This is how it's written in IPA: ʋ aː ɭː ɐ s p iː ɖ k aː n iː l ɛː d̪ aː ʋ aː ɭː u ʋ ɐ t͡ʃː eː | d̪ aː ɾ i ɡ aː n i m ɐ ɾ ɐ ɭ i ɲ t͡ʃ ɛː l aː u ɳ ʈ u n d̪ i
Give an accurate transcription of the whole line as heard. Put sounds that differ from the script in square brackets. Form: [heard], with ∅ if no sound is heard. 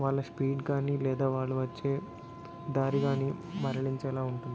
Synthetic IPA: ʋ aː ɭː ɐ s p iː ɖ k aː n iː l ɛː d̪ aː ʋ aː ɭː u ʋ ɐ t͡ʃː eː | d̪ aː ɾ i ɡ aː n i m ɐ ɾ ɐ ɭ i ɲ t͡ʃ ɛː l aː u ɳ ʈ u n d̪ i